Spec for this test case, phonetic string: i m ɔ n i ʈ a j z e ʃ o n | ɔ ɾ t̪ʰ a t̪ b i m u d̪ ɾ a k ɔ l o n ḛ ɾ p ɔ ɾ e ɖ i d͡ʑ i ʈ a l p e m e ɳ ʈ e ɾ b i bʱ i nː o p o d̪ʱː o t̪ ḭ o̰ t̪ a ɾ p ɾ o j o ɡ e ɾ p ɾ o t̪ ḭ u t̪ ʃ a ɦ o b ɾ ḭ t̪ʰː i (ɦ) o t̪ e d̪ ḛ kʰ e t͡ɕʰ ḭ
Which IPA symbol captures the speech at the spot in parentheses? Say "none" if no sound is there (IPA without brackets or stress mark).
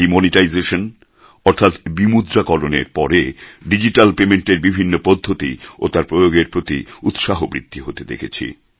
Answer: ɦ